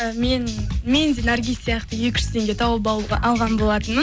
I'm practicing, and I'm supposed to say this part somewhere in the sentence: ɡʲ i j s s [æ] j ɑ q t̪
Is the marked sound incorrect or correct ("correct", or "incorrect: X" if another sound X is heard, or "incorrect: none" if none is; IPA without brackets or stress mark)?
incorrect: i